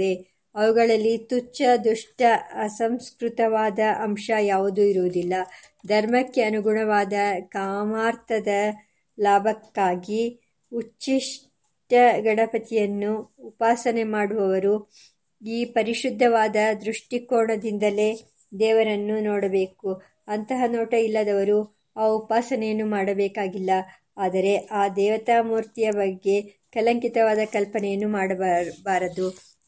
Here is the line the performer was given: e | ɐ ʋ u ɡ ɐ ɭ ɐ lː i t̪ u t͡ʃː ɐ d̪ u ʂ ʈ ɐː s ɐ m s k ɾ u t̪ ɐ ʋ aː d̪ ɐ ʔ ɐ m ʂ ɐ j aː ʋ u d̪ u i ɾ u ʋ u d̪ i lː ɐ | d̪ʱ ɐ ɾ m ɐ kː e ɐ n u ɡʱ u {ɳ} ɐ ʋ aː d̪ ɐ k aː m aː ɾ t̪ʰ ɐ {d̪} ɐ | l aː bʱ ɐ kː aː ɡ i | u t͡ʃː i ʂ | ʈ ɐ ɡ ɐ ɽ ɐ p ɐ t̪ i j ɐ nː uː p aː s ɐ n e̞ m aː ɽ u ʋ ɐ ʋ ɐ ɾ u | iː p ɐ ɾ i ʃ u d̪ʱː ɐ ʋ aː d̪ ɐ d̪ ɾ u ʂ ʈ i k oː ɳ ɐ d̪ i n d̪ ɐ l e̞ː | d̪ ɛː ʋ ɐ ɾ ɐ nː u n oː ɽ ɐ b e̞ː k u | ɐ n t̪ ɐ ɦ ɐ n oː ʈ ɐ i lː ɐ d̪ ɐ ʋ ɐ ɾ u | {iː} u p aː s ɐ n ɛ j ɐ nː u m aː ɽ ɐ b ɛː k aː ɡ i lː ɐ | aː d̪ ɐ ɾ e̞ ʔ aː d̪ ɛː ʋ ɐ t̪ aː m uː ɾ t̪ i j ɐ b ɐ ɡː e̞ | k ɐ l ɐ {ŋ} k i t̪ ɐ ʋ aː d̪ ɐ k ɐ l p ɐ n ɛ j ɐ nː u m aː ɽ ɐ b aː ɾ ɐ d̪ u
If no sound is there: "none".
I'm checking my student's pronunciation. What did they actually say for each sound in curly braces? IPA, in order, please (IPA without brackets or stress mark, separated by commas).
ɳ, d̪, aː, ŋ